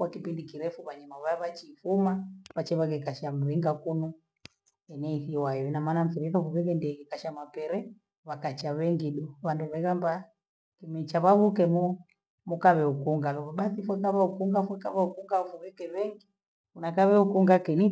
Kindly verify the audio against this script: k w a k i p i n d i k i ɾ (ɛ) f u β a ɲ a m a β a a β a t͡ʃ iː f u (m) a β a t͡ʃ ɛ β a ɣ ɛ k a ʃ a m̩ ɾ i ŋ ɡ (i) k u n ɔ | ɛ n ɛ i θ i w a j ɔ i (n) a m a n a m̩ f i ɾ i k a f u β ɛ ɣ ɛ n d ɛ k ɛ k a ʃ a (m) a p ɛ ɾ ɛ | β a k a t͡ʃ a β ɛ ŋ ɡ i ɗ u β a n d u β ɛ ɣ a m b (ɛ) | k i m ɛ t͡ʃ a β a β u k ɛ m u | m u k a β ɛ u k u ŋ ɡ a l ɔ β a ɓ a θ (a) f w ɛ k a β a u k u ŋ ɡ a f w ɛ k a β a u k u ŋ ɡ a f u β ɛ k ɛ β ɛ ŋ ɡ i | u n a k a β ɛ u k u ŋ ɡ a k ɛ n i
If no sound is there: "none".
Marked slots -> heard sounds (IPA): ɛ, m, a, n, m, a, i

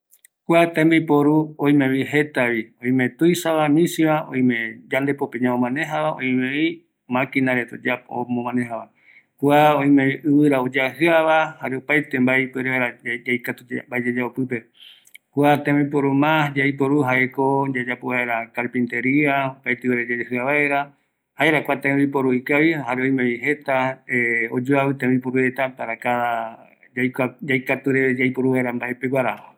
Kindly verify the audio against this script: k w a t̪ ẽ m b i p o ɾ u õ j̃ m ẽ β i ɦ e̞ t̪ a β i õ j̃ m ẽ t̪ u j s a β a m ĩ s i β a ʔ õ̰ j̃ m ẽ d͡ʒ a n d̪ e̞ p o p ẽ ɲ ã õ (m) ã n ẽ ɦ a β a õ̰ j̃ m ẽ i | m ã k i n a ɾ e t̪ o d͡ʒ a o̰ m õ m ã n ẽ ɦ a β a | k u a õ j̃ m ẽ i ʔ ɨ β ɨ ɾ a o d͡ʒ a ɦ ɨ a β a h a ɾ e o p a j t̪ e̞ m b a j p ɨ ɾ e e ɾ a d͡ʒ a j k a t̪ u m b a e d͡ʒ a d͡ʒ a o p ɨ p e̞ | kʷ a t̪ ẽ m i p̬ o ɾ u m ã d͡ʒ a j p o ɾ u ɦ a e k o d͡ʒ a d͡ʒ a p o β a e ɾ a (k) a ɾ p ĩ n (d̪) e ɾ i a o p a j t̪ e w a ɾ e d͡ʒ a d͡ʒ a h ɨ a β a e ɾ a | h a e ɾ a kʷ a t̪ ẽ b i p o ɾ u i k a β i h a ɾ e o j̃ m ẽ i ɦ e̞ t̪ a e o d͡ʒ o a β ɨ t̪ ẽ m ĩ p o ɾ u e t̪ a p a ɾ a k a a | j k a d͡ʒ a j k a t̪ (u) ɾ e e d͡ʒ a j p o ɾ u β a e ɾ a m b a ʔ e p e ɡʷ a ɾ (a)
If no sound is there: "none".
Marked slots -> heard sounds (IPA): m, k, t̪, u, a

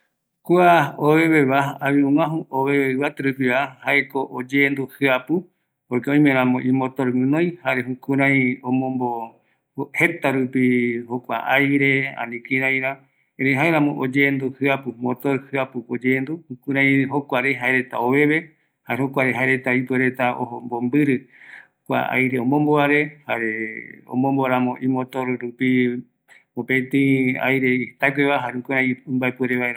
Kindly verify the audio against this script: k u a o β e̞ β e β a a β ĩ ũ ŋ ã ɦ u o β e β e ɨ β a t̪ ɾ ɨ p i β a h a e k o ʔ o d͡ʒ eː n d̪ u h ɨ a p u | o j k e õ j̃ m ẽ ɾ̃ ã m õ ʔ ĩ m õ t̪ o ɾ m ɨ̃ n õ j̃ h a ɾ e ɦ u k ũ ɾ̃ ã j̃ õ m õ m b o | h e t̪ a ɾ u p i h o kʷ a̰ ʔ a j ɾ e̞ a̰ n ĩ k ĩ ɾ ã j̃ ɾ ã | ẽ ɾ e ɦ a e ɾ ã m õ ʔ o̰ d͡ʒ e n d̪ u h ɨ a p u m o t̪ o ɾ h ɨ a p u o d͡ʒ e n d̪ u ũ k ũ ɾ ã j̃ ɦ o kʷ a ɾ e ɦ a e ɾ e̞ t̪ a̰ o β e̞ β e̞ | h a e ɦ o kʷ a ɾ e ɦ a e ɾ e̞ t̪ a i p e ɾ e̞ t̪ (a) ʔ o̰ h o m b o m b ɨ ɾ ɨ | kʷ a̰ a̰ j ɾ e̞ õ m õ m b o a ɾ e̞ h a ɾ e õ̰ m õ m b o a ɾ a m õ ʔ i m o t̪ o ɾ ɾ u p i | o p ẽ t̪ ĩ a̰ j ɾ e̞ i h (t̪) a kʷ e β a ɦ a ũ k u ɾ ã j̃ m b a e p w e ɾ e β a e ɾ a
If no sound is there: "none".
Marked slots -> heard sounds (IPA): a, t̪

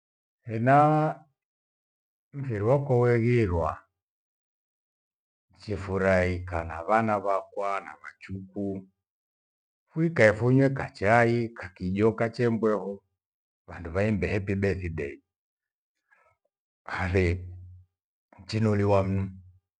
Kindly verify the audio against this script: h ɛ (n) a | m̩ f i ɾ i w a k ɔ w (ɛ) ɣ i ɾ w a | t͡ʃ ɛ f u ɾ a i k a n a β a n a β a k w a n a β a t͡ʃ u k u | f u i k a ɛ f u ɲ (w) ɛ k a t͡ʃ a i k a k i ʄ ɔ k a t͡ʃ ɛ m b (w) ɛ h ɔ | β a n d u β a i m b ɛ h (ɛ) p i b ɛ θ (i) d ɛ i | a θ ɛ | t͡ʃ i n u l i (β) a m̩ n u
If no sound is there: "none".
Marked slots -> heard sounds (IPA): n, ɛ, w, w, ɛ, i, w

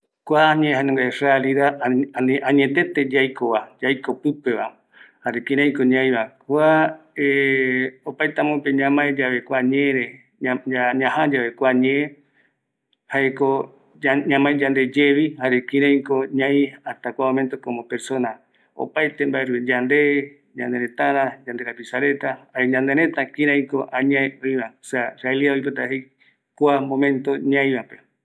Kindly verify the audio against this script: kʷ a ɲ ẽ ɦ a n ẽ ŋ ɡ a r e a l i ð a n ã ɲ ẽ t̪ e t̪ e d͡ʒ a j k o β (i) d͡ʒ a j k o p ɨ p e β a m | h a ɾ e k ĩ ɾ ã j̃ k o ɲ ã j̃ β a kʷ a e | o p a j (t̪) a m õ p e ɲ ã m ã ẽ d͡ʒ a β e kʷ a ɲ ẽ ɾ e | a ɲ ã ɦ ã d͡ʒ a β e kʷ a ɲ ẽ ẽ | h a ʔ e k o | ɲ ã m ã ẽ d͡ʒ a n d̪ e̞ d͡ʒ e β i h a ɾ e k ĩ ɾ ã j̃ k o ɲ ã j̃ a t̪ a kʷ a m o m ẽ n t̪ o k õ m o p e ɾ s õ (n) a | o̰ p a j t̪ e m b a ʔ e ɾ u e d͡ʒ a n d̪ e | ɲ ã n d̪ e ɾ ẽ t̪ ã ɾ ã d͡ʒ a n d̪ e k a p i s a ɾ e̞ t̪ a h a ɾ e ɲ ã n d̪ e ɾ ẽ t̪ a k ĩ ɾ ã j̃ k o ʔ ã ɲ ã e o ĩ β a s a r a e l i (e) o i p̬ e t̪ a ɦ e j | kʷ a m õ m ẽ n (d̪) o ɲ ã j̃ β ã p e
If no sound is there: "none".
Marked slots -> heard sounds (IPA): a, t̪, n, a, t̪

